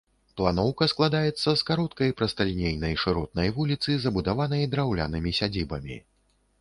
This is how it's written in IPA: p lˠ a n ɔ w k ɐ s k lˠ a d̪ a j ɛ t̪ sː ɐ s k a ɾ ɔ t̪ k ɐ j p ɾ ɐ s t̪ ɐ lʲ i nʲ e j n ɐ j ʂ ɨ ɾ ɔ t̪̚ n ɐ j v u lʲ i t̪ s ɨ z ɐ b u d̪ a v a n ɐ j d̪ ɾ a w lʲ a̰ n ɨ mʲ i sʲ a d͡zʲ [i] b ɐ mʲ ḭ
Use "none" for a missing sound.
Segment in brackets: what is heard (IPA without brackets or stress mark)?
i